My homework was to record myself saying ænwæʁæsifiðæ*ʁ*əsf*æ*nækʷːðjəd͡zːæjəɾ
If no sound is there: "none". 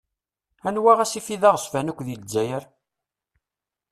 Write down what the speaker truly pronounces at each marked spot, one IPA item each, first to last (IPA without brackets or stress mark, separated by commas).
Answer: ʁ, æ